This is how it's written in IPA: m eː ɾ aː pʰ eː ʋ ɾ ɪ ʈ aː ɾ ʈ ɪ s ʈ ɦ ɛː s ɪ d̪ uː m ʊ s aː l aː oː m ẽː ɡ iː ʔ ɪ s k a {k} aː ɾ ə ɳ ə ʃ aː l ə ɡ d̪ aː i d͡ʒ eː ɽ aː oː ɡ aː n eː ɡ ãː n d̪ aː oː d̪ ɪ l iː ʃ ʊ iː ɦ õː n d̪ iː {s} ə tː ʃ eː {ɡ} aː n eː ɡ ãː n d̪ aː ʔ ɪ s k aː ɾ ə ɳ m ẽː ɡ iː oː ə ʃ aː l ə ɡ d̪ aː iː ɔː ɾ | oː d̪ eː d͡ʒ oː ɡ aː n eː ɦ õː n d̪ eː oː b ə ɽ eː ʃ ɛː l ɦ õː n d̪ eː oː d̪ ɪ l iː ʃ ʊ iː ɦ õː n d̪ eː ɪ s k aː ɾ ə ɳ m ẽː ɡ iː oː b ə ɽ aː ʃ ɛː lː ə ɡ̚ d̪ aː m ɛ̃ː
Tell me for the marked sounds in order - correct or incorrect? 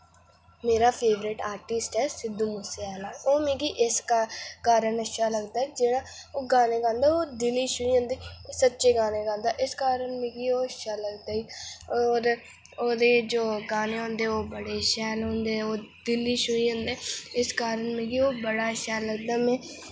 correct, correct, correct

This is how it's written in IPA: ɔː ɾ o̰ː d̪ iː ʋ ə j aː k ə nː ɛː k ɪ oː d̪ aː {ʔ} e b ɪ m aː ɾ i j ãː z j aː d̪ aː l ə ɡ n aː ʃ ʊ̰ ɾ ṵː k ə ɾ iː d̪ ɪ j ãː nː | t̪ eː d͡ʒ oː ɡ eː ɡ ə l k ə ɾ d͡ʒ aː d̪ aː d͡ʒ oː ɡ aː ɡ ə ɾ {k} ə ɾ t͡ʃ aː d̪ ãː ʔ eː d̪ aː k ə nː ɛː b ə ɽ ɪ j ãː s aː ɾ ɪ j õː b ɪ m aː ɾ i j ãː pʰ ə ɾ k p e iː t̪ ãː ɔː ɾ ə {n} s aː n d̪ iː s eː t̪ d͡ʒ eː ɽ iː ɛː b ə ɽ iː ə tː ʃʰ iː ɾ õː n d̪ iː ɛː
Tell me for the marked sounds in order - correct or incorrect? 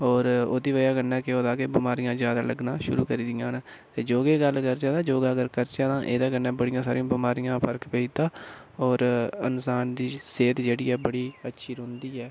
incorrect, correct, correct

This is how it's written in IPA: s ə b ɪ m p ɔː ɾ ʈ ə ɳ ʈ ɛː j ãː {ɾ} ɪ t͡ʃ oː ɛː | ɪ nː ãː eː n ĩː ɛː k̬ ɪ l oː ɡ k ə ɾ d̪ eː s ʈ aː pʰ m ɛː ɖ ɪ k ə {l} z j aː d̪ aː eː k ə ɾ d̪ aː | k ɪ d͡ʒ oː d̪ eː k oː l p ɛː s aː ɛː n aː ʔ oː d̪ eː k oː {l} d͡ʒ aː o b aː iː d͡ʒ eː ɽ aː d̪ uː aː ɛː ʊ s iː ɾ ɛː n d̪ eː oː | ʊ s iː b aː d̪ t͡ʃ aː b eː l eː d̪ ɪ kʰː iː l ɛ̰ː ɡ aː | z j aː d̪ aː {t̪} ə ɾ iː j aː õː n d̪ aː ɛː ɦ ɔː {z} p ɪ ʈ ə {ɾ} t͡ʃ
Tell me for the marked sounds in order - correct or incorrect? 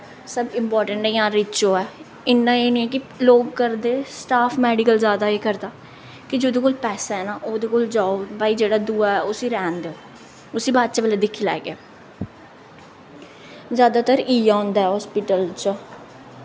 correct, correct, correct, correct, incorrect, incorrect

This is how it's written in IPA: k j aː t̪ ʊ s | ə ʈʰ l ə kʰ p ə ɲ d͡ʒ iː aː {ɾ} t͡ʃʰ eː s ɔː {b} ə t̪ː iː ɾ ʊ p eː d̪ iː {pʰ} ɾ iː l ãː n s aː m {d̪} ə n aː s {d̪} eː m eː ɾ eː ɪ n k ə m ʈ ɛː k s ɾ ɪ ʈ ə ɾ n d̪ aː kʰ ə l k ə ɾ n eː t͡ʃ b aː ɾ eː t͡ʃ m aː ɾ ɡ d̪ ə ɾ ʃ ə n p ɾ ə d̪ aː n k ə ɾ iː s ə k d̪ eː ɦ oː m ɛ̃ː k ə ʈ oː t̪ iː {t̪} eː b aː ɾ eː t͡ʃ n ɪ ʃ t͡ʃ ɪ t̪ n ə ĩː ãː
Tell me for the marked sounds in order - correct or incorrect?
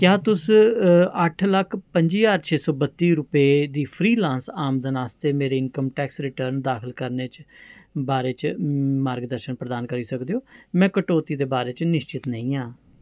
correct, correct, correct, correct, incorrect, incorrect

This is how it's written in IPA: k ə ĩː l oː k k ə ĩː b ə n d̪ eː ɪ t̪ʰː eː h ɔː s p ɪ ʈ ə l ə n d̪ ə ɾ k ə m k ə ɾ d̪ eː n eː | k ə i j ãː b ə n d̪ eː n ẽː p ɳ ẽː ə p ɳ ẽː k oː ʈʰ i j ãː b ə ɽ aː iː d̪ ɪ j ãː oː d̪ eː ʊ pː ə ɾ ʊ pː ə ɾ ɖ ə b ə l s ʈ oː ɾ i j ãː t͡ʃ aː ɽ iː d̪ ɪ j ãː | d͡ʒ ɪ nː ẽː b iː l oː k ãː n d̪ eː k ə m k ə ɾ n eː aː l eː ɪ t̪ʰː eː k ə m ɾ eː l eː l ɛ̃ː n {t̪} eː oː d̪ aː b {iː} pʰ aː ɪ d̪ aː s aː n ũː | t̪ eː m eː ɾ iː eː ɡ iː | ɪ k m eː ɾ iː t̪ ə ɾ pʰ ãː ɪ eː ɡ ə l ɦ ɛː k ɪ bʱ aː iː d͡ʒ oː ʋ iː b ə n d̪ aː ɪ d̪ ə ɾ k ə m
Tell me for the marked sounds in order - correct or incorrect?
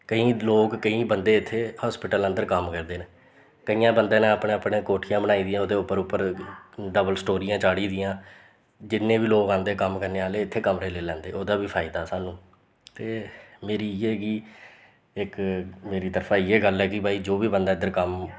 incorrect, correct

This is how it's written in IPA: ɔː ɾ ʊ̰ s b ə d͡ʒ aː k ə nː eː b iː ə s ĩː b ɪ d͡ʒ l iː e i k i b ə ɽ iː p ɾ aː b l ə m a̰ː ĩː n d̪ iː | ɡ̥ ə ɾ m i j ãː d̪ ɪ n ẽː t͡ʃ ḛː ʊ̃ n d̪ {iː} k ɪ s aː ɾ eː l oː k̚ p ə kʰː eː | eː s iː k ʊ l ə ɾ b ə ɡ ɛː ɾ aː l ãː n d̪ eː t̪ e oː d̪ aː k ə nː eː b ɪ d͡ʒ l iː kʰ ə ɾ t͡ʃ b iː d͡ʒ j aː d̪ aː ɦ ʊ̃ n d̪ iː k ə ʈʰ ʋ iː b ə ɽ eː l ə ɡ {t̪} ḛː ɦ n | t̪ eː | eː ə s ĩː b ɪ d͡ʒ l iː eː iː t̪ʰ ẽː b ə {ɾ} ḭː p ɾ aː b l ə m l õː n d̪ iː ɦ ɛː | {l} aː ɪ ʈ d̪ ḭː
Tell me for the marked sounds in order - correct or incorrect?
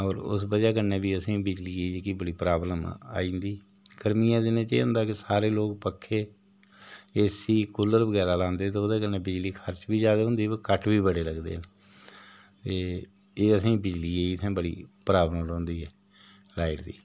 incorrect, incorrect, incorrect, correct

